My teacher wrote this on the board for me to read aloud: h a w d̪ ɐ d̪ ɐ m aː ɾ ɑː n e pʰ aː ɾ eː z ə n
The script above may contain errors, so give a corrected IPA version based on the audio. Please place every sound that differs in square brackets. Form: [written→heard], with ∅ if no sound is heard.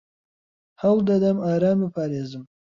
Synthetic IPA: h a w d̪ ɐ d̪ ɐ m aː ɾ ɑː [n→m] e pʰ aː ɾ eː z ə [n→m]